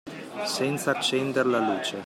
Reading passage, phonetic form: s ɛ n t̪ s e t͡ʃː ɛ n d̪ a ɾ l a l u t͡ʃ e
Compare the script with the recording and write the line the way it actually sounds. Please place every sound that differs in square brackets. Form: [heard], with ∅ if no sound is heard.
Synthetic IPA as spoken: s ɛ n t̪ s [a] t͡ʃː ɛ n d̪ [e] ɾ l a l [uː] t͡ʃ e